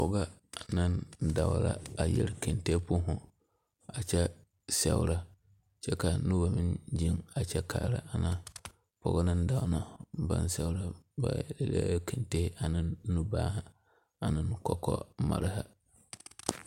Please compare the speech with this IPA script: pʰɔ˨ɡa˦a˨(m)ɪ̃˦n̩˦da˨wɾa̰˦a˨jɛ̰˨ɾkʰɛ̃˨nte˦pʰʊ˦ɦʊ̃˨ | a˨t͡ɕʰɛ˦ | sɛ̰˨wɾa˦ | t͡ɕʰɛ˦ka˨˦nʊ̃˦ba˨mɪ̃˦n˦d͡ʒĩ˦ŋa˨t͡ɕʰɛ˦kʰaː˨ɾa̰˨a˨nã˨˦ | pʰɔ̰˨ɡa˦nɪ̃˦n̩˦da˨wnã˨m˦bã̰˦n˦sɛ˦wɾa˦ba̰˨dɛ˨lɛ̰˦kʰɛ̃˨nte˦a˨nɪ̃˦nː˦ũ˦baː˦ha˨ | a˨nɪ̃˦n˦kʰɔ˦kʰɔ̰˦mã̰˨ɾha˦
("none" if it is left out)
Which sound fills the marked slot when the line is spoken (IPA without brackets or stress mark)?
n